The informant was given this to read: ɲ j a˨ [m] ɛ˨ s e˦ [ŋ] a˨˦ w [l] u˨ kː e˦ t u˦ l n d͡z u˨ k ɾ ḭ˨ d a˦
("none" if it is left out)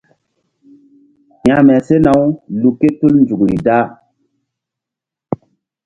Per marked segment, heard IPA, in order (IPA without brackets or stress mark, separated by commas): m, n, l